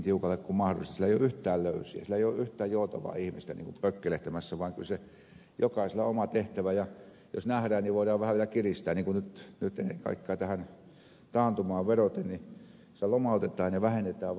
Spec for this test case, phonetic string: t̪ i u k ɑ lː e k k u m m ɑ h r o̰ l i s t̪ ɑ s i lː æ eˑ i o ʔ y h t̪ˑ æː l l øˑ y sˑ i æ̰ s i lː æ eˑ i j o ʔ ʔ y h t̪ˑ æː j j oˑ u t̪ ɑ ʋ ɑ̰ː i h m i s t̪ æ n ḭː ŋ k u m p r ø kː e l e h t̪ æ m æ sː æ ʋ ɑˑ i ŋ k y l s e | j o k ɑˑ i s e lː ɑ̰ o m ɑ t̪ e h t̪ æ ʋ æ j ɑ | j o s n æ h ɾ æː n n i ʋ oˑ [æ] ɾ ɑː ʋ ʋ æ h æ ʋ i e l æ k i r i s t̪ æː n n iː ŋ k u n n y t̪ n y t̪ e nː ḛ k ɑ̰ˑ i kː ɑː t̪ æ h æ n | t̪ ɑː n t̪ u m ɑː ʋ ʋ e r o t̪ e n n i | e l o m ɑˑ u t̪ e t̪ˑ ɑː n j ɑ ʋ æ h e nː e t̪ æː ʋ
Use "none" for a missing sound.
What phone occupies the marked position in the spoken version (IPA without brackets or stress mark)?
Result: i